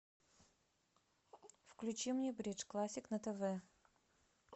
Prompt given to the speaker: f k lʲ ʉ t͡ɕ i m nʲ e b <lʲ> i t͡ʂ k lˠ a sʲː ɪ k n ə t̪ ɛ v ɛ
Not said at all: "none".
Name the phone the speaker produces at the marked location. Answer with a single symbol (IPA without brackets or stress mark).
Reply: ɾʲ